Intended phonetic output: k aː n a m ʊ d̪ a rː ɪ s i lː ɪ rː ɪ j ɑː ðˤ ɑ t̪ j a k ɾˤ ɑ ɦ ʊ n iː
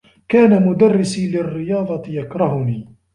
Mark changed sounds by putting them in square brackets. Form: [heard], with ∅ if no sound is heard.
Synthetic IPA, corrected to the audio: k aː n a m ʊ d̪ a rː ɪ s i [l] ɪ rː ɪ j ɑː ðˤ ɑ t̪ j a k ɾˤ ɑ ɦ ʊ n iː